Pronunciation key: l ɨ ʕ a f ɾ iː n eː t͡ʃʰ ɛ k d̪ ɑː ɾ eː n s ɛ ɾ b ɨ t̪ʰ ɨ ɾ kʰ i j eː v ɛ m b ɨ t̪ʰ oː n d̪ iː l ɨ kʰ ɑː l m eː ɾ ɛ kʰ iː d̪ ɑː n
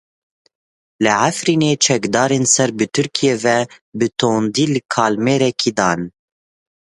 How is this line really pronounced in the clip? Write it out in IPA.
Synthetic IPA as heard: l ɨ ʕ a f ɾ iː n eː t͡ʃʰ ɛ k d̪ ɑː ɾ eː n s ɛ ɾ b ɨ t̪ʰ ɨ ɾ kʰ i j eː v ɛ b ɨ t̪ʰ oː n d̪ iː l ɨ kʰ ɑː l m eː ɾ ɛ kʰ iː d̪ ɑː n